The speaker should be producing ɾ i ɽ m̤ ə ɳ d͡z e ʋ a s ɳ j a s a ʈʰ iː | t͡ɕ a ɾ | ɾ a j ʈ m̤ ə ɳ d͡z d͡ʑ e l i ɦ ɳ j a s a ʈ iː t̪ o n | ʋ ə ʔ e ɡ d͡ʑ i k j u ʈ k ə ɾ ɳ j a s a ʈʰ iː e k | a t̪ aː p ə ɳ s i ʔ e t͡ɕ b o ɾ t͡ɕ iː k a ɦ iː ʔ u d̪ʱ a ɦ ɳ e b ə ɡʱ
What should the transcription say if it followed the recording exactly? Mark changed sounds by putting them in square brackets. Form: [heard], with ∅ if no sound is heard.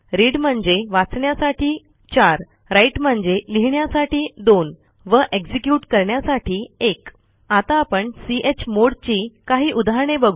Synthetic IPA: ɾ i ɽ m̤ ə ɳ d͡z e ʋ a [t͡s] ɳ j a s a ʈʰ iː | t͡ɕ a ɾ | ɾ a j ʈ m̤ ə ɳ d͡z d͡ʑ e l i ɦ ɳ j a s a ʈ iː [d̪] o n | ʋ ə ʔ e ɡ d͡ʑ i k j u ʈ k ə ɾ ɳ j a s a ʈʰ iː e k | a t̪ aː p ə ɳ s i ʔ e t͡ɕ [m] o [ɽ] t͡ɕ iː k a ɦ iː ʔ u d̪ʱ a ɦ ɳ e b ə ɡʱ